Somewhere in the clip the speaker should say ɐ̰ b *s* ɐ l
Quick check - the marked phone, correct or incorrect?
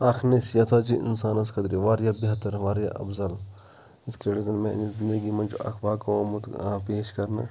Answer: incorrect